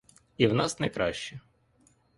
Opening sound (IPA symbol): i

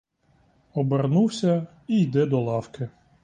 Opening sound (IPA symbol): ɔ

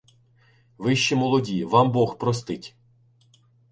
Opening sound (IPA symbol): ʋ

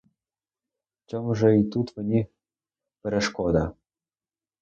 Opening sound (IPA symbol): t͡ɕ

